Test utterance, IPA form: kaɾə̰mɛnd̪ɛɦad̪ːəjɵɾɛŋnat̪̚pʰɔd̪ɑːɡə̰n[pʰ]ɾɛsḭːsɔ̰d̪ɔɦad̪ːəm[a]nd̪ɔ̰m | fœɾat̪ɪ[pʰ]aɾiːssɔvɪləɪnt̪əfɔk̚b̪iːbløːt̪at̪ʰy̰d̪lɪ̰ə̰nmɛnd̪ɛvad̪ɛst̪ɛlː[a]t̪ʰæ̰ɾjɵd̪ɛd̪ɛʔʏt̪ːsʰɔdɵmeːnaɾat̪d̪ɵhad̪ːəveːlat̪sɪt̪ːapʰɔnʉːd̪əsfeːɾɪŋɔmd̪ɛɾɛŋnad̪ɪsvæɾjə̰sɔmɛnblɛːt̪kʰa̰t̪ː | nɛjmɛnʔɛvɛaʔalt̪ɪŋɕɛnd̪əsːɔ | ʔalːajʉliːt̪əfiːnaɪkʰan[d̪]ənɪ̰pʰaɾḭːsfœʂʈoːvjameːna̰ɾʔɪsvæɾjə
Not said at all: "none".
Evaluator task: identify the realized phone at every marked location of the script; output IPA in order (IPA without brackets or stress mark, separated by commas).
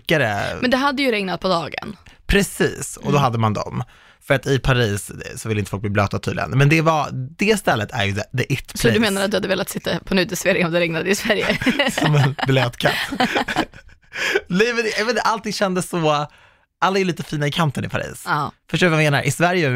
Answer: pʰ, a, pʰ, ə, t̪